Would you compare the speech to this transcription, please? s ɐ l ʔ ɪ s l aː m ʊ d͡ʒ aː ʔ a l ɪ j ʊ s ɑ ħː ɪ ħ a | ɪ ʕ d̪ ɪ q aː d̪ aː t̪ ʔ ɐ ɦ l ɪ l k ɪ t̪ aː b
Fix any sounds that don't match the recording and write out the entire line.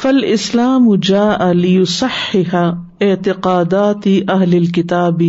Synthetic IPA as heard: f ɐ l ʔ ɪ s l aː m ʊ d͡ʒ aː ʔ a l ɪ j ʊ s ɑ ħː ɪ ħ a | ɪ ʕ t̪ ɪ q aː d̪ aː t̪ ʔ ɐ ɦ l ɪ l k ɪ t̪ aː b